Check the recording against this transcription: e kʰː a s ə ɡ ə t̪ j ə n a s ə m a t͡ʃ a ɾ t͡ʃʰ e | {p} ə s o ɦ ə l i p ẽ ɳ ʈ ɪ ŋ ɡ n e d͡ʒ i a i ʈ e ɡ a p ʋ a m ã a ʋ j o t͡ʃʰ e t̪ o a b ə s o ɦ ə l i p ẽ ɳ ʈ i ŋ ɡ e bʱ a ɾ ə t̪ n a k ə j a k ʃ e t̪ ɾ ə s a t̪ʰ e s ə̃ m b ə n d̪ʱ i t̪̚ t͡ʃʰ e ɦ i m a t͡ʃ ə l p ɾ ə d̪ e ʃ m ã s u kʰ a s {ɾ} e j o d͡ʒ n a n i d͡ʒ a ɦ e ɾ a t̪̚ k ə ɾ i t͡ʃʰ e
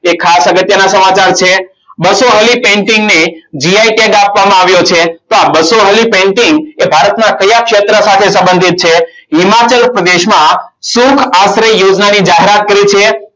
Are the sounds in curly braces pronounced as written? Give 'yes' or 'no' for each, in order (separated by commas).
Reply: no, yes